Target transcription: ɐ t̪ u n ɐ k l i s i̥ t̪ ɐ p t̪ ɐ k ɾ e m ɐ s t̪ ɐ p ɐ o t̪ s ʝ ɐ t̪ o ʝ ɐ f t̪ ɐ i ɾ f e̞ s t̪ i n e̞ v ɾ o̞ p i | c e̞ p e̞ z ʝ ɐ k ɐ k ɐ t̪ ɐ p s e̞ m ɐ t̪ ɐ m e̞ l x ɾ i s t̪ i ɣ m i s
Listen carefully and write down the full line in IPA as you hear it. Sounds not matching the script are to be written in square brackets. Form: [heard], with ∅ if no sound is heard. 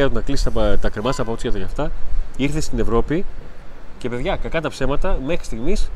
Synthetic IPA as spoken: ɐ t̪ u n ɐ k l i s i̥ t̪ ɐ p t̪ ɐ k ɾ e m ɐ s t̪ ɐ p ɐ o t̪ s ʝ ɐ t̪ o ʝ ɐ f t̪ ɐ i ɾ [θ] e̞ s t̪ i n e̞ v ɾ o̞ p i | c e̞ p e̞ [ð] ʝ ɐ k ɐ k ɐ t̪ ɐ p s e̞ m ɐ t̪ ɐ m e̞ [∅] x ɾ i s t̪ i ɣ m i s